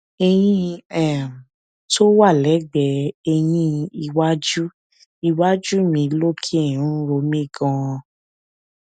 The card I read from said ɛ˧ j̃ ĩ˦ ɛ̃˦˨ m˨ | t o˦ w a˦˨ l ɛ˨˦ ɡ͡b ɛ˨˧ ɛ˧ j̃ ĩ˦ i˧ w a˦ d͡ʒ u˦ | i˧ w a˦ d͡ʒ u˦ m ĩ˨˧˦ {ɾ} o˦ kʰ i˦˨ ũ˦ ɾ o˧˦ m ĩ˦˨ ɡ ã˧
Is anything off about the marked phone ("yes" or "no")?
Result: yes